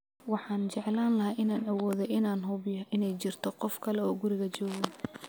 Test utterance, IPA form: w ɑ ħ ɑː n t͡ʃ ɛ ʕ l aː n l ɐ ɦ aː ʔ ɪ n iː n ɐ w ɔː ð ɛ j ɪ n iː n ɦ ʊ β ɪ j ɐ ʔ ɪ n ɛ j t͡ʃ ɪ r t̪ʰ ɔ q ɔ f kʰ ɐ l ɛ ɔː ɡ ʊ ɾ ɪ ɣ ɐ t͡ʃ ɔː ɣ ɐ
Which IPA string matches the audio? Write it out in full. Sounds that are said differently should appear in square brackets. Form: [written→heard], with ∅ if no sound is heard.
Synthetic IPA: w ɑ ħ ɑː n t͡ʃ ɛ ʕ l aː n l ɐ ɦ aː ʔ ɪ n [iː→aː] n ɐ w ɔː ð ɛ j ɪ n [iː→aː] n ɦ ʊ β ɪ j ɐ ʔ ɪ n ɛ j t͡ʃ ɪ r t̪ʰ ɔ q ɔ f kʰ ɐ l ɛ ɔː ɡ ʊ ɾ ɪ ɣ ɐ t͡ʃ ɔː ɣ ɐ